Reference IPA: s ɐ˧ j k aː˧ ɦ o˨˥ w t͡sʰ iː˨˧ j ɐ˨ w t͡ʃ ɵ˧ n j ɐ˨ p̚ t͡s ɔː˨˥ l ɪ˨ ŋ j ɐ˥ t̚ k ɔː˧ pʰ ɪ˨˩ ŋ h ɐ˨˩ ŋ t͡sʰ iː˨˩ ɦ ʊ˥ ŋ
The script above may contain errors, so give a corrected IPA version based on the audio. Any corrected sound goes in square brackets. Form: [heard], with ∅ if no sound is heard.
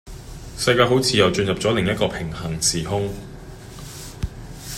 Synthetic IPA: s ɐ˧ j k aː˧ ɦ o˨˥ w t͡sʰ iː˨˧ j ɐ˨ w t͡ʃ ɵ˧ n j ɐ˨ p̚ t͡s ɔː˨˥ l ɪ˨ ŋ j ɐ˥ t̚ k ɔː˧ pʰ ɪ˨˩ ŋ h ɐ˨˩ ŋ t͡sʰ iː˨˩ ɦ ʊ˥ ŋ